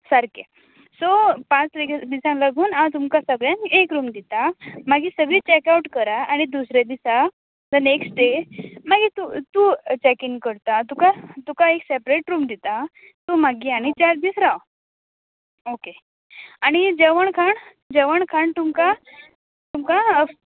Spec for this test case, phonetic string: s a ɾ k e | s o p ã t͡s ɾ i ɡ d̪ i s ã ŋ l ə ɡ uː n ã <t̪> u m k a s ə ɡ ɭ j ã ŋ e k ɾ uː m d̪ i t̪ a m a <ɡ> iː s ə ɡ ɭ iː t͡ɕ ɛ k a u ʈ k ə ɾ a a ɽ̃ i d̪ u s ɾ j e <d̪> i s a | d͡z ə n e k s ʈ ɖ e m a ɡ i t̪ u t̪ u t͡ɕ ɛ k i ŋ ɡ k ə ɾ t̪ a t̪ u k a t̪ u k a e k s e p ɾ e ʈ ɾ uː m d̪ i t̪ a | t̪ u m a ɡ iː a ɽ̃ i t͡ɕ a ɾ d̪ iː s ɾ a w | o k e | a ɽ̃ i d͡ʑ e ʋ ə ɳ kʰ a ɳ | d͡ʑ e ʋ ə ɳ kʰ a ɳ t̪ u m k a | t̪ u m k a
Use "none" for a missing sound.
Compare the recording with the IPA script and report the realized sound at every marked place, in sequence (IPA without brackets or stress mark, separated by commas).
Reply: t̪, ɡ, d̪